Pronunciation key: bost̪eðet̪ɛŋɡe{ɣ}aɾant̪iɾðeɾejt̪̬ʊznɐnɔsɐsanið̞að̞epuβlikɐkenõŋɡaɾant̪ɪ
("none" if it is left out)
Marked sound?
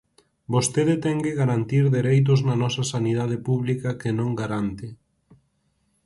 ɣ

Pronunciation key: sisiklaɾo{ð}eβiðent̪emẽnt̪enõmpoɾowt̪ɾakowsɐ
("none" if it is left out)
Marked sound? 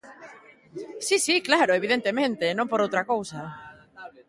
none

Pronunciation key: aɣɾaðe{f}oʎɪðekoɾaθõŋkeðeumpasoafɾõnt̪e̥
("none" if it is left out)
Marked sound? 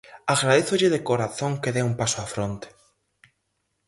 θ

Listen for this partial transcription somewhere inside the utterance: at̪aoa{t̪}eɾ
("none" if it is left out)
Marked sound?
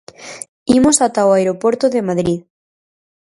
none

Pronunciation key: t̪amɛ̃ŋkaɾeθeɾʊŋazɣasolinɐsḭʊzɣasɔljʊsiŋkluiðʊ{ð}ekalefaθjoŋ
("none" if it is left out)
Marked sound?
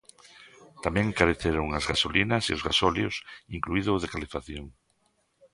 ð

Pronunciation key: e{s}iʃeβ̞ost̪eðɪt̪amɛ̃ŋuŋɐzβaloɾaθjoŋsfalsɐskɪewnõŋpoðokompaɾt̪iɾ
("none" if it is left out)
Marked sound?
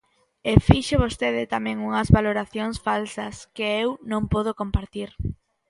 f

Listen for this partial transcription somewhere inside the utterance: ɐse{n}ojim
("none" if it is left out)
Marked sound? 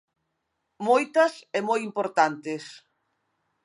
m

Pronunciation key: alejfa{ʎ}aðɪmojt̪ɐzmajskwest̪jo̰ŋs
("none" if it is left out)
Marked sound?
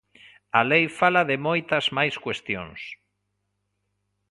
l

